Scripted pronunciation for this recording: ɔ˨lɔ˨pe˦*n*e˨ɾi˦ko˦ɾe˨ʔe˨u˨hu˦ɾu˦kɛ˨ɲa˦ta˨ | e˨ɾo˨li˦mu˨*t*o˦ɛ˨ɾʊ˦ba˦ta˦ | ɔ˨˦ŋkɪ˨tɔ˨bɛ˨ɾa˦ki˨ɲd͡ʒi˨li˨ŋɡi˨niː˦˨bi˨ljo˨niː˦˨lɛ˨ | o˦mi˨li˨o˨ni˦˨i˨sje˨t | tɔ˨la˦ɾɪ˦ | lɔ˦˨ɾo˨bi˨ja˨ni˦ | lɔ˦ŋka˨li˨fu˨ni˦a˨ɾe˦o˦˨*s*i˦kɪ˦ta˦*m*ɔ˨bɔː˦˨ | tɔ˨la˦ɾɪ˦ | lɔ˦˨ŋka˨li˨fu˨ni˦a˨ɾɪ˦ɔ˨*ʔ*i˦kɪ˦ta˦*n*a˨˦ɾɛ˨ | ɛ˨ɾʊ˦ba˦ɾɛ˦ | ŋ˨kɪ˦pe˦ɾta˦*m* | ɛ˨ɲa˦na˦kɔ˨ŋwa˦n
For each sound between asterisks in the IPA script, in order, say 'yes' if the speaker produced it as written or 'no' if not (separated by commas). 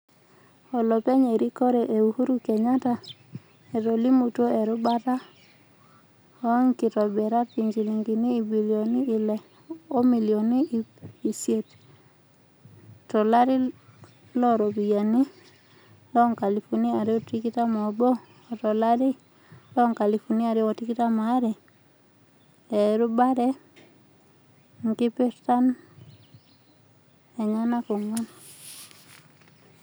no, yes, no, yes, no, no, no